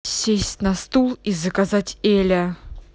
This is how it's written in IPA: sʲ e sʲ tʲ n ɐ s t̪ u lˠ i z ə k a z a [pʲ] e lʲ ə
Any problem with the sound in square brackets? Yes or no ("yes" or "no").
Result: yes